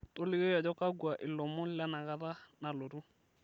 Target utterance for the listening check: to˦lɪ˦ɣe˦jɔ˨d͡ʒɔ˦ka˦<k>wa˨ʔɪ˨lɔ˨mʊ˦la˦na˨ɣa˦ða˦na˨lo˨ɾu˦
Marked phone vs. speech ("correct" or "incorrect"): incorrect